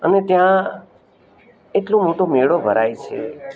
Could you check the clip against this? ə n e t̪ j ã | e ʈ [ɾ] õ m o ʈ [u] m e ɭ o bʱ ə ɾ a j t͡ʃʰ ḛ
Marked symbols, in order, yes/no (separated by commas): no, no